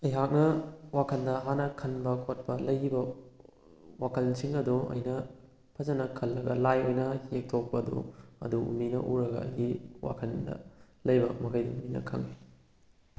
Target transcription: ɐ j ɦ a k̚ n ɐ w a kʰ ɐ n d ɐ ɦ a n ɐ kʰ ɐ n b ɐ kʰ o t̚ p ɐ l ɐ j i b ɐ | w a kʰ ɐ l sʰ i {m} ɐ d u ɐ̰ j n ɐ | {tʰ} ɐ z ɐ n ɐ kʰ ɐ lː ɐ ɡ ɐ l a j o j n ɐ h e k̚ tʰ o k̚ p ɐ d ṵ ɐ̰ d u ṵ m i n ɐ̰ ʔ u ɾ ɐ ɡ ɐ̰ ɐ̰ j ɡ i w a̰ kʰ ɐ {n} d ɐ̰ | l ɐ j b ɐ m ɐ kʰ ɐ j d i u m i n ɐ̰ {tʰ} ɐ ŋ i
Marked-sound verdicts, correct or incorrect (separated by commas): incorrect, incorrect, correct, incorrect